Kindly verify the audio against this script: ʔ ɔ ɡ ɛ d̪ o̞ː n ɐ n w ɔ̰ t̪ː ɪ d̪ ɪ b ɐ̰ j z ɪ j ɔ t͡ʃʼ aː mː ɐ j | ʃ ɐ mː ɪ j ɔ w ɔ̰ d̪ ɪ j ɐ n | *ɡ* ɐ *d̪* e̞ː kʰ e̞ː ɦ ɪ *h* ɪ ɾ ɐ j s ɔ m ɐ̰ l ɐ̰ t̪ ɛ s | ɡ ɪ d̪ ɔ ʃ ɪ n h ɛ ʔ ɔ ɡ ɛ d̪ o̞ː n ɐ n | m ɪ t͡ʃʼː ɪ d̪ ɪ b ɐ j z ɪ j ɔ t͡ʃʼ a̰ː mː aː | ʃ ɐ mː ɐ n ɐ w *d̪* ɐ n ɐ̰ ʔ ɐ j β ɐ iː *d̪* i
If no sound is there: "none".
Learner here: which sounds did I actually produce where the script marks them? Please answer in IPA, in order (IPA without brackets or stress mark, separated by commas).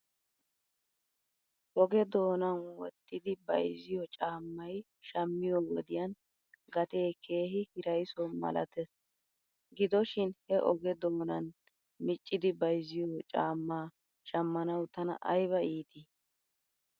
ɡ, t̪, h, t̪, t̪